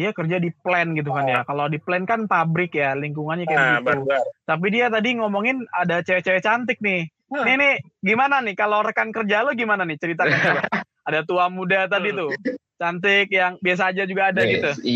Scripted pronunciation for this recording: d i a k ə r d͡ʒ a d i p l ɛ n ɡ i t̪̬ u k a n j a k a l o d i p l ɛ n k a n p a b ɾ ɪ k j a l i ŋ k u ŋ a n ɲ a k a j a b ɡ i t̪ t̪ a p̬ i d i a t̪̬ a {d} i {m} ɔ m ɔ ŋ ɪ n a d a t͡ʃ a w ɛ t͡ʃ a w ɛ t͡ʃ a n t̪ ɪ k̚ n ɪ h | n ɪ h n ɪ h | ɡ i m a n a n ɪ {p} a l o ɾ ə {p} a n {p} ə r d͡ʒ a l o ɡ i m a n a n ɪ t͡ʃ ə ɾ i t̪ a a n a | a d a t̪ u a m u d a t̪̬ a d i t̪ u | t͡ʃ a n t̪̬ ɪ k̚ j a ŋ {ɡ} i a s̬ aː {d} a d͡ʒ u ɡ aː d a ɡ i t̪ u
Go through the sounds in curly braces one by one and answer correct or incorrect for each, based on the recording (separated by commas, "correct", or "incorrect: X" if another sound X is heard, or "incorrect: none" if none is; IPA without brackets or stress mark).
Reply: correct, incorrect: ŋ, incorrect: k, incorrect: k, incorrect: k, incorrect: b, incorrect: d͡ʒ